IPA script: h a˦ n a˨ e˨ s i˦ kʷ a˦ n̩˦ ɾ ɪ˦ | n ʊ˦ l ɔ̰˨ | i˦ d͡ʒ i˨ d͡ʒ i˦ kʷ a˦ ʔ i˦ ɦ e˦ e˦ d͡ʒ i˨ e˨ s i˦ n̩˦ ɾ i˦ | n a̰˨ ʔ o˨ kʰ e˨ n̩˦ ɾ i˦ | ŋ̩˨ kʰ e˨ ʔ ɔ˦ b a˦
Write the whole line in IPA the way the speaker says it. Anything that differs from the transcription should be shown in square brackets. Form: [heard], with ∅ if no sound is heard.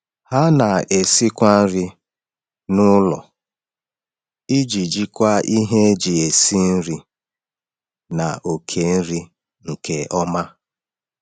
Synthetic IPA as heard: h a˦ n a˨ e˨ s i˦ kʷ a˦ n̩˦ ɾ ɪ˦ | n ʊ˦ l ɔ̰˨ | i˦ d͡ʒ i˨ d͡ʒ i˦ kʷ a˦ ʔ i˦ ɦ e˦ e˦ d͡ʒ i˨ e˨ s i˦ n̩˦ ɾ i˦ | n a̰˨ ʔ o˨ kʰ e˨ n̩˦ ɾ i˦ | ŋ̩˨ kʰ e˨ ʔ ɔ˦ [m] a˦